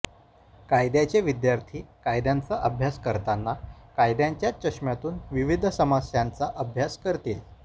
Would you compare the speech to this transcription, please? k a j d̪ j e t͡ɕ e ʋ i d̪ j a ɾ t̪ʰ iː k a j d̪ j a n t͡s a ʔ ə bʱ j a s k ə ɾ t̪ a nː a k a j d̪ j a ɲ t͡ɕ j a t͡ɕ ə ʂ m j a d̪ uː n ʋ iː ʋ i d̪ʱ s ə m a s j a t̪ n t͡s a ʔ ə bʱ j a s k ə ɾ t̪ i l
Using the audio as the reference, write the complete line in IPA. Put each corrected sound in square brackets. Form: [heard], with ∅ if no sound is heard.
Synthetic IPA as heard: k a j d̪ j [a] t͡ɕ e ʋ i d̪ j a ɾ t̪ʰ iː k a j d̪ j a n t͡s a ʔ ə bʱ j a s k ə ɾ t̪ a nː a k a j d̪ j a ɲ t͡ɕ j a t͡ɕ ə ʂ m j a [t̪] uː n ʋ [i] ʋ i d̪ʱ s ə m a s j a [∅] n t͡s a ʔ ə bʱ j a s k ə ɾ t̪ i l